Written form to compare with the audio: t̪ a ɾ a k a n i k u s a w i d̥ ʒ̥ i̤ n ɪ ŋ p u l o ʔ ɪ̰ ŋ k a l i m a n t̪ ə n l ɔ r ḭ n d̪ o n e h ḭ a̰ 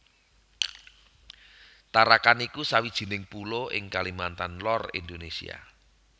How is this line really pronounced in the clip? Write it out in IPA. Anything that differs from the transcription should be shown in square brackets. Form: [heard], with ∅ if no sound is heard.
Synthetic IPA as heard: t̪ a ɾ a k a n i k u s a w i d̥ ʒ̥ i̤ n ɪ ŋ p u l o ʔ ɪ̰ ŋ k a l i m a n t̪ [a] n l ɔ r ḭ n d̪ o n e [s] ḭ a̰